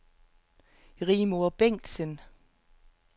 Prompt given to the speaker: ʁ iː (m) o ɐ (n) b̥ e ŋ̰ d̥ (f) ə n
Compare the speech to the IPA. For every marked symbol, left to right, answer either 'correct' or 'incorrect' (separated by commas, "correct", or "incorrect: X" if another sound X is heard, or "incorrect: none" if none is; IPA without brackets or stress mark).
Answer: correct, incorrect: none, incorrect: s